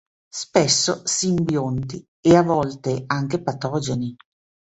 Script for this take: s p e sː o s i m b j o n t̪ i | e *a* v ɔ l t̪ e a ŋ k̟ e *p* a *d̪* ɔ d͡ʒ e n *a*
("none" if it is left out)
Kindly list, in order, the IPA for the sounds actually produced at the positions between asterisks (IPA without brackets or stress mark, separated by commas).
a, p, t̪, i